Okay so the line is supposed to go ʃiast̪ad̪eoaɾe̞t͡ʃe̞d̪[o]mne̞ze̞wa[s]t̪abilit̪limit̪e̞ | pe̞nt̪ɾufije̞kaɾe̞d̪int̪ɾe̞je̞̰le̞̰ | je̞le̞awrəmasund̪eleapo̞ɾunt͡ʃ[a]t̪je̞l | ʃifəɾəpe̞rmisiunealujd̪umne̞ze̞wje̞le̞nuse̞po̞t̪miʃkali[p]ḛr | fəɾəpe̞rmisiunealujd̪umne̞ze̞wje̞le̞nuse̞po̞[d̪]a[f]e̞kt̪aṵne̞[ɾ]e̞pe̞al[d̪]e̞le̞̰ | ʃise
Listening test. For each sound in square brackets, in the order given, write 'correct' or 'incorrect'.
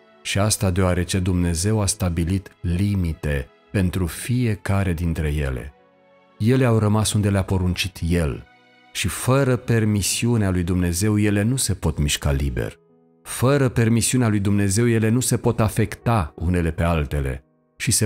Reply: incorrect, correct, incorrect, incorrect, incorrect, correct, incorrect, incorrect

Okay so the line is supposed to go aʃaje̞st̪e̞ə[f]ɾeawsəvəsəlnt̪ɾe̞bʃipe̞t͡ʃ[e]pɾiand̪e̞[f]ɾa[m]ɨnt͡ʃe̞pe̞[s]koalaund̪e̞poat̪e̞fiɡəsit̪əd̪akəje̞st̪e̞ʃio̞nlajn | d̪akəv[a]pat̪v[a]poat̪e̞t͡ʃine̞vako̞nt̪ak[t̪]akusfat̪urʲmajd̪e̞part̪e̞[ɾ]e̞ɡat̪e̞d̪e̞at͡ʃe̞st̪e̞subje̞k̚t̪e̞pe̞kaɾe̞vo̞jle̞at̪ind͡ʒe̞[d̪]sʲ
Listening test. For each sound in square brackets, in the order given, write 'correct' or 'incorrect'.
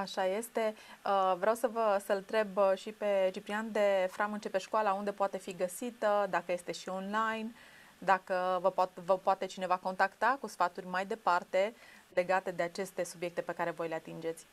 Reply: incorrect, incorrect, correct, correct, incorrect, incorrect, incorrect, correct, incorrect, incorrect

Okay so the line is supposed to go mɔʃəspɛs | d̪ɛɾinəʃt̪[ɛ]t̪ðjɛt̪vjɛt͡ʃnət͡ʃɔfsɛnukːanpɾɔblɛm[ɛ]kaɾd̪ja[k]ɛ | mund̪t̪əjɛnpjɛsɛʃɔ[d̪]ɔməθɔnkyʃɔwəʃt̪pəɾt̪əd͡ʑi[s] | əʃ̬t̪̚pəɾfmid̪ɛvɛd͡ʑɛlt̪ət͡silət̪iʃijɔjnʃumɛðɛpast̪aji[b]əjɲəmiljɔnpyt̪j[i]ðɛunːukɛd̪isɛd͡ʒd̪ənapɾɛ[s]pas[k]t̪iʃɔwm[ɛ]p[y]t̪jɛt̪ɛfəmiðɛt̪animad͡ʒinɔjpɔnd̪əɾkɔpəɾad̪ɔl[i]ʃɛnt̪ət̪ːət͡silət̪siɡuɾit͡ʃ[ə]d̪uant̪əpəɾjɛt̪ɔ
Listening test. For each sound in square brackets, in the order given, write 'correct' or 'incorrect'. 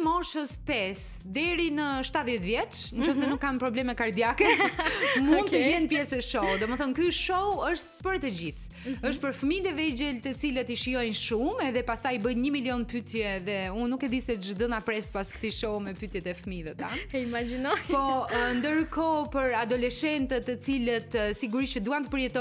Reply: incorrect, correct, correct, correct, incorrect, correct, incorrect, correct, correct, correct, correct, incorrect, correct

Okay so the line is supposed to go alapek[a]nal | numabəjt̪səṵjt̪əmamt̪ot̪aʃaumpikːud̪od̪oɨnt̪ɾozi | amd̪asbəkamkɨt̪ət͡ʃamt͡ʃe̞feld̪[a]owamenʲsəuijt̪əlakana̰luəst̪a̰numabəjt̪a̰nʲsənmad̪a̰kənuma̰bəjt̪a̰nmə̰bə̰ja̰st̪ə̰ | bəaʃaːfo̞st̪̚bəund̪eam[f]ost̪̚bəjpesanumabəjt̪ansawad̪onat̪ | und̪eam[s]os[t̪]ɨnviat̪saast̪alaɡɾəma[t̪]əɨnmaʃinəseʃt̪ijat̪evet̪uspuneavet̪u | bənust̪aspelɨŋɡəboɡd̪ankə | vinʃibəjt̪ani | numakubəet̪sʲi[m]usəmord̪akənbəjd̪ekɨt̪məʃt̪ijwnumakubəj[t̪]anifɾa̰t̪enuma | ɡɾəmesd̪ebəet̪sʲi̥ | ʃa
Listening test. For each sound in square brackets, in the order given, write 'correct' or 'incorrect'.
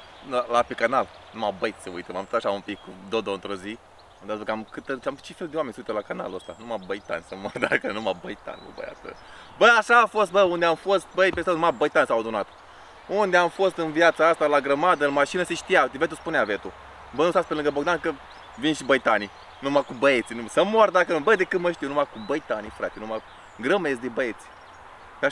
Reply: correct, incorrect, correct, incorrect, correct, incorrect, incorrect, correct

